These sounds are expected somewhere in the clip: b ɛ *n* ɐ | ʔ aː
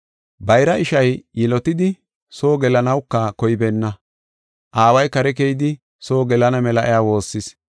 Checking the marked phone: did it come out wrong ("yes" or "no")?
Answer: yes